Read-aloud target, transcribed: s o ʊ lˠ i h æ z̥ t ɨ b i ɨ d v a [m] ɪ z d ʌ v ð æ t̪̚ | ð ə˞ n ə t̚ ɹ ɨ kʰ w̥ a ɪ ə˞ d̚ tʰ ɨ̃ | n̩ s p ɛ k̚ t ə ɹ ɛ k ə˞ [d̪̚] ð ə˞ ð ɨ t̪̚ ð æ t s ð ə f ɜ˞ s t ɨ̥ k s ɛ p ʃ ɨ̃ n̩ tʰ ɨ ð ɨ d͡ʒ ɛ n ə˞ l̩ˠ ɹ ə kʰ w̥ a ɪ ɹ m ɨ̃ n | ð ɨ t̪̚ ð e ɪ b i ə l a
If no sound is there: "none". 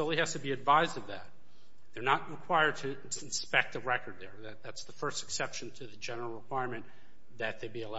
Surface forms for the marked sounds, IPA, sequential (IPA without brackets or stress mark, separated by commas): none, d̪̚